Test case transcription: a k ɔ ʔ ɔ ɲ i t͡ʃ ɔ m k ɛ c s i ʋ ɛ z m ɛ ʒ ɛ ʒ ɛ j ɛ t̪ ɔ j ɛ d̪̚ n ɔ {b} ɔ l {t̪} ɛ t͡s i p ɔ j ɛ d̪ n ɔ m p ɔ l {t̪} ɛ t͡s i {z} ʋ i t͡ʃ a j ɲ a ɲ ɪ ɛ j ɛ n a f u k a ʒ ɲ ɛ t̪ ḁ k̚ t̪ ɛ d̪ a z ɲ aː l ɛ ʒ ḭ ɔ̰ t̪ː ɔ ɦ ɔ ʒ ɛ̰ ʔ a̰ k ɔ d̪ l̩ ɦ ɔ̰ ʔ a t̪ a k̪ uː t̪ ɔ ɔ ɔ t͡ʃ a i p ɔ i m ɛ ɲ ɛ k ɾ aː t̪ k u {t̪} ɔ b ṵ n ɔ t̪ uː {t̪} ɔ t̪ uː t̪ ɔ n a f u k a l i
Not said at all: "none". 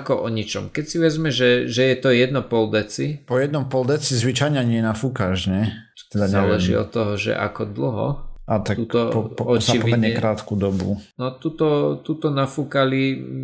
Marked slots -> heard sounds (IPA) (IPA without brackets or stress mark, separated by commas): p, d̪, d̪, z, d̪, t̪